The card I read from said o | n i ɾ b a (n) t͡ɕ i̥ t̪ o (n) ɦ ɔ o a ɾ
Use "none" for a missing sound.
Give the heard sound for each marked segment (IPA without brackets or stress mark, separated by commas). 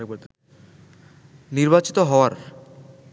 none, none